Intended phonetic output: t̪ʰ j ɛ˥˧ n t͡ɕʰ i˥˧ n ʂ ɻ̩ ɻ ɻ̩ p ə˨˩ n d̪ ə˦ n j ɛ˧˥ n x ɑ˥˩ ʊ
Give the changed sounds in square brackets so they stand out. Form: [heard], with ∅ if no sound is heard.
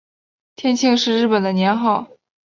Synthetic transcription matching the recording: t̪ʰ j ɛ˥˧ n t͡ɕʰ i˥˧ [ŋ] ʂ ɻ̩ ɻ ɻ̩ p ə˨˩ n d̪ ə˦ n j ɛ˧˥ n x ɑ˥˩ ʊ